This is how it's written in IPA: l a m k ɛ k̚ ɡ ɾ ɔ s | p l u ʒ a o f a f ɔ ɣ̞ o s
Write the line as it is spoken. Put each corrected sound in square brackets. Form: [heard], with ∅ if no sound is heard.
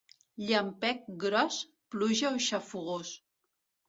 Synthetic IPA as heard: [ʎ] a m [p] ɛ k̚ ɡ ɾ ɔ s | p l u ʒ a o [ʃ] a f [u] ɣ̞ o s